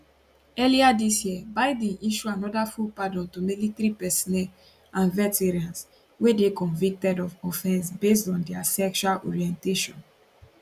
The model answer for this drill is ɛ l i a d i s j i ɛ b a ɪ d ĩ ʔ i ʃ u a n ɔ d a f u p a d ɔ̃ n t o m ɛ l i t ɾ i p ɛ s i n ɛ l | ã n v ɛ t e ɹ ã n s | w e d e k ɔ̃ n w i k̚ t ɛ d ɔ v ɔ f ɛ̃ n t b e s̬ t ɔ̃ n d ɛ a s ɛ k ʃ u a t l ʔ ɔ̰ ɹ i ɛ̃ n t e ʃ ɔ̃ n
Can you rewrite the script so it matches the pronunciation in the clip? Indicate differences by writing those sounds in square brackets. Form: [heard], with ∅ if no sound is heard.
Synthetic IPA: ɛ l i a d i s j i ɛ b a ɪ d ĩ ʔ i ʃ u a n ɔ d a f u p a d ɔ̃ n t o m [i] l i t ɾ i p ɛ s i n ɛ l | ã n v ɛ t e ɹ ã n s | w e d e k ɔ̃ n [v] i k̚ t ɛ d ɔ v ɔ f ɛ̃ n [s] b e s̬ t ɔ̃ n d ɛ a s ɛ k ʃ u a [∅] l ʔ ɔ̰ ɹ i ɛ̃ n t e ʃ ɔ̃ n

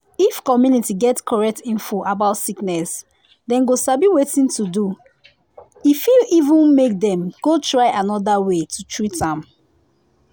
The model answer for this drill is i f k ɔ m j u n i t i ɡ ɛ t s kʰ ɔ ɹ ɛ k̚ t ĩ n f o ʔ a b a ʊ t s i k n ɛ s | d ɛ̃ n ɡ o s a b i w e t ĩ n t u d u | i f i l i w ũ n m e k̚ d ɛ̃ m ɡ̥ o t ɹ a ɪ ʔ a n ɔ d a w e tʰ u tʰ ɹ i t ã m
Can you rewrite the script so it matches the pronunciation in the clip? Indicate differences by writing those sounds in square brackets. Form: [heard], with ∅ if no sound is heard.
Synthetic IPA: i f k ɔ m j u n i t i ɡ ɛ t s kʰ ɔ ɹ ɛ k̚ t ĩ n f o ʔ a b a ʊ t s i k n ɛ s | d ɛ̃ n ɡ o s a b i w e t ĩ n t u d u | i f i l i [v] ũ n m e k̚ d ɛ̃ m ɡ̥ o t ɹ a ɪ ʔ a n ɔ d a w e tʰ u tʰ ɹ i t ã m

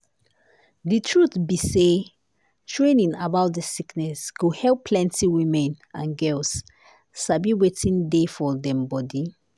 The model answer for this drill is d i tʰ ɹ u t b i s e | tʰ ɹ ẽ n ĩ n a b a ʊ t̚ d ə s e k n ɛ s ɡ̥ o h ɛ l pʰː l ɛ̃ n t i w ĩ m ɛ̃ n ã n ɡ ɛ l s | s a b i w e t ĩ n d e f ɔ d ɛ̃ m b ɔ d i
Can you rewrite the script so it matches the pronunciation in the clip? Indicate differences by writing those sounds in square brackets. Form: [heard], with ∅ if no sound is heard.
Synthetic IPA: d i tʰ ɹ u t b i s e | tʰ ɹ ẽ n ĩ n a b a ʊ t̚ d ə s [i] k n ɛ s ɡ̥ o h ɛ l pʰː l ɛ̃ n t i w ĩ m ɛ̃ n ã n ɡ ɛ l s | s a b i w e t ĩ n d e f ɔ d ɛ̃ m b ɔ d i

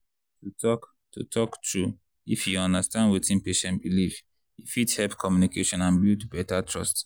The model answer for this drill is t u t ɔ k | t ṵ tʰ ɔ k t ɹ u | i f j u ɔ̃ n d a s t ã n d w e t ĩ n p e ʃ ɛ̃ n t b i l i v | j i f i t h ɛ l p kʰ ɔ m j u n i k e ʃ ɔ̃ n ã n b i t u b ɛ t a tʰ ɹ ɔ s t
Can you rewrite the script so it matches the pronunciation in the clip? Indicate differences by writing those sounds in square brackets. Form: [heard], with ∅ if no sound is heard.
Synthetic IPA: t u t ɔ k | t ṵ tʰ ɔ k t ɹ u | i f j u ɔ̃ n d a s t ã n d w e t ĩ n p e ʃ ɛ̃ n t b i l i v | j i f i t h ɛ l p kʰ ɔ m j u n i k e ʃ ɔ̃ n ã n b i t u b ɛ t a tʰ ɹ ɔ s t

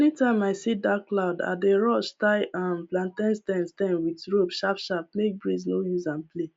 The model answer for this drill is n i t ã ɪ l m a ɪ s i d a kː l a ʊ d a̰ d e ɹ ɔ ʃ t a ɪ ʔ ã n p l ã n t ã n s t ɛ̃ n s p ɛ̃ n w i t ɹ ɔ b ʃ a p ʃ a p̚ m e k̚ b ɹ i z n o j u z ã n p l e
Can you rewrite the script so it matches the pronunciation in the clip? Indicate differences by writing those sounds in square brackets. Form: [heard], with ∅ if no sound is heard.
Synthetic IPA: n i t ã ɪ [∅] m a ɪ s i d a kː l a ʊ d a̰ d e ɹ ɔ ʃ t a ɪ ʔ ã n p l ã n t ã n s t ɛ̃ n s [t] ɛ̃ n w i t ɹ [o] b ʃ a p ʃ a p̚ m e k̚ b ɹ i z n o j u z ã n p l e

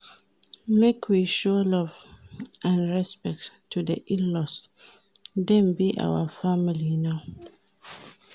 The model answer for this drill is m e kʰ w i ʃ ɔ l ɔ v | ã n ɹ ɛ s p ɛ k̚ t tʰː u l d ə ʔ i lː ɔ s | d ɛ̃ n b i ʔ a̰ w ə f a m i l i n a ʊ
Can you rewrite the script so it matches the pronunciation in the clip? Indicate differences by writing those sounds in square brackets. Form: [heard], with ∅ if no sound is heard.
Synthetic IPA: m e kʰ w i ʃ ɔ l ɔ v | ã n ɹ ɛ s p ɛ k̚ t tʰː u [∅] d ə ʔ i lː ɔ s | d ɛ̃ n b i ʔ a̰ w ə f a m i l i n a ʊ

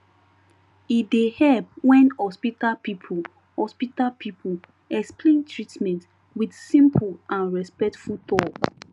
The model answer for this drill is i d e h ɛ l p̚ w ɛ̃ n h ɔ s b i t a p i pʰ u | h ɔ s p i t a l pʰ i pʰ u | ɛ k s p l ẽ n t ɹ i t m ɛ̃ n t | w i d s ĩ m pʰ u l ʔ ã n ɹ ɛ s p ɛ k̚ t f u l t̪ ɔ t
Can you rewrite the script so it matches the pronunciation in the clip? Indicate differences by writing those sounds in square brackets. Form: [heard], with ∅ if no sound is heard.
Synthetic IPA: i d e h ɛ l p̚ w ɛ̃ n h ɔ s [p] i t a p i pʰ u | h ɔ s p i t a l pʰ i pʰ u | ɛ k s p l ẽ n t ɹ i t m ɛ̃ n t | w i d s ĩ m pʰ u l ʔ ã n ɹ ɛ s p ɛ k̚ t f u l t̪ ɔ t

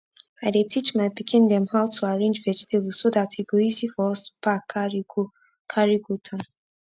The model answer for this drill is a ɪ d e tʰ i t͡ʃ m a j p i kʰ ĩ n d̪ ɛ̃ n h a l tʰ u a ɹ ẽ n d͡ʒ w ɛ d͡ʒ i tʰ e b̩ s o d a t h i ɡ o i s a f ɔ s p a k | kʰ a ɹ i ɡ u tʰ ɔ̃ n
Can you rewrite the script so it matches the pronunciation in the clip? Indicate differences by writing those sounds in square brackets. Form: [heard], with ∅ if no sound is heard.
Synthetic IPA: a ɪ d e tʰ i t͡ʃ m a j p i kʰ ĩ n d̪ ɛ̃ [m] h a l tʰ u a ɹ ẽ n d͡ʒ [v] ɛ d͡ʒ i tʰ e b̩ s o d a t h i ɡ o i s [i] f ɔ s p a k | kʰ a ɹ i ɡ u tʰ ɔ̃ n

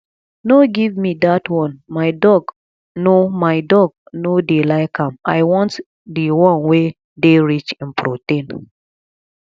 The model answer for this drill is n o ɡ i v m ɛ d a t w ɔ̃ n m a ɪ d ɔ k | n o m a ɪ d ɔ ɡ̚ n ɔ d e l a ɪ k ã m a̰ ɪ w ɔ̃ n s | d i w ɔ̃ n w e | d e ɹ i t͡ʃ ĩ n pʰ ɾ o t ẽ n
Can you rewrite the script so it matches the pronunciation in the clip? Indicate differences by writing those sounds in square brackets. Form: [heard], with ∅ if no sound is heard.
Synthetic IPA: n o ɡ i v m [i] d a t w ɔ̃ n m a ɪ d ɔ [ɡ] | n o m a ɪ d ɔ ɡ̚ n [o] d e l a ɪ k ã m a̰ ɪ w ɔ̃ n [t] | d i w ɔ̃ n w e | d e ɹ i t͡ʃ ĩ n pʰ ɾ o t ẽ n

